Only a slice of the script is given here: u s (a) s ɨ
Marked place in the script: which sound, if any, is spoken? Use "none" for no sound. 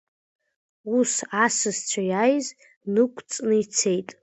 a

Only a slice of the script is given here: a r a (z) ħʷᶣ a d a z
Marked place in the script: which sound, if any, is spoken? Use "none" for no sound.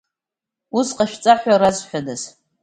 z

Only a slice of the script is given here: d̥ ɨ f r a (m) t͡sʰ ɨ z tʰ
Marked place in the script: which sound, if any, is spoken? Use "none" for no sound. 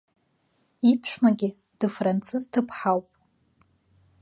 n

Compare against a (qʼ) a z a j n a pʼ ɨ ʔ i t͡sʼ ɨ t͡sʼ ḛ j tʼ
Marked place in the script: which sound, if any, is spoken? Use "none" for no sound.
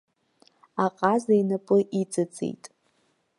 qʼ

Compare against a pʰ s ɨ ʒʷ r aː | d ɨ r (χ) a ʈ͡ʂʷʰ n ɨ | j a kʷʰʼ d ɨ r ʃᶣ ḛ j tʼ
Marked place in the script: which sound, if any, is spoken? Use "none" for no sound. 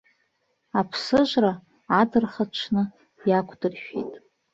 χ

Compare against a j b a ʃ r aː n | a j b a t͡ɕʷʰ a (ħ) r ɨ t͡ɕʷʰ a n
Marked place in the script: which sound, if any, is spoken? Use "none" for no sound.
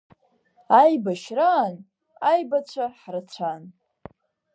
ħ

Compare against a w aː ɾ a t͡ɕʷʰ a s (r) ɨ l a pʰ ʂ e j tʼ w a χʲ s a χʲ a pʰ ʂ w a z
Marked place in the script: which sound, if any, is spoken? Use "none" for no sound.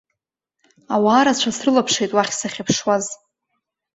r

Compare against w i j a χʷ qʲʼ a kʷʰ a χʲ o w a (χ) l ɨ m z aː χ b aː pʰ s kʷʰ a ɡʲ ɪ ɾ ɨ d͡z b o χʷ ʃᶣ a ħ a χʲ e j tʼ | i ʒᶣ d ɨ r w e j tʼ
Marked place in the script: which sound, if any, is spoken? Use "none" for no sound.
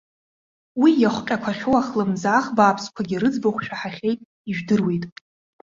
χ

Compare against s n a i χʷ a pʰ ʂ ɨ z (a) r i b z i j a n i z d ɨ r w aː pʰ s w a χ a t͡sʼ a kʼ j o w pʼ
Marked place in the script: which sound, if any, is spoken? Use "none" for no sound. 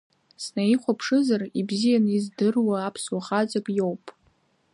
a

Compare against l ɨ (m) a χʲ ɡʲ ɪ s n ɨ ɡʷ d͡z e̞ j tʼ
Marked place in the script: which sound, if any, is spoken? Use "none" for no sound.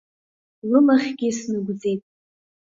m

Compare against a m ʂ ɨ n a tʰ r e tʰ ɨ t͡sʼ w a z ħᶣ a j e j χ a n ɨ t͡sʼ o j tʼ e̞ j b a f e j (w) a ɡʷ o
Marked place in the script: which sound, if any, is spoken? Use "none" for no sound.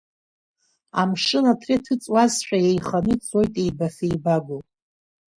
b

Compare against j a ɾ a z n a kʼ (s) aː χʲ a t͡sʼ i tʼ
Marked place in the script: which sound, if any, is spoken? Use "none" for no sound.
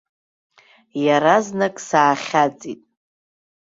s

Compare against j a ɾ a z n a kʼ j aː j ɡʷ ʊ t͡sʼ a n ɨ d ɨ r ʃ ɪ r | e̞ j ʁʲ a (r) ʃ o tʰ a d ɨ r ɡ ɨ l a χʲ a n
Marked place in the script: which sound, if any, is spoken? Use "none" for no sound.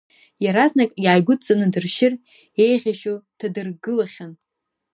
none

